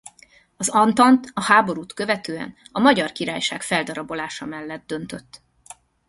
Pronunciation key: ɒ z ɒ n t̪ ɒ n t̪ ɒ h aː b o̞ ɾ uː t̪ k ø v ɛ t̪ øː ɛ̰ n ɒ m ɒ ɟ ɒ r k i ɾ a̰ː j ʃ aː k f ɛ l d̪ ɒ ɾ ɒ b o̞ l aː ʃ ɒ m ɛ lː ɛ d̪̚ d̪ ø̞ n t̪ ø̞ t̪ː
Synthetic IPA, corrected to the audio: ɒ z ɒ n t̪ ɒ n t̪ ɒ h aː b o̞ ɾ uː t̪ k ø v ɛ t̪ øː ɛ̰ n ɒ m ɒ ɟ ɒ r k i ɾ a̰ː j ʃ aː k f ɛ l d̪ ɒ ɾ ɒ b o̞ l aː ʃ ɒ m ɛ lː ɛ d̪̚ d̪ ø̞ n t̪ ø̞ t̪ː